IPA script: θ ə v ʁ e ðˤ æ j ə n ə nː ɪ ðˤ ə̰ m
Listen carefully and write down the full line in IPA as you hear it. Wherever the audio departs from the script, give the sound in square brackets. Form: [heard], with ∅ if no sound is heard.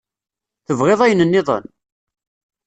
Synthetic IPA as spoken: θ ə v ʁ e ðˤ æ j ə n ə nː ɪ ðˤ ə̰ [n]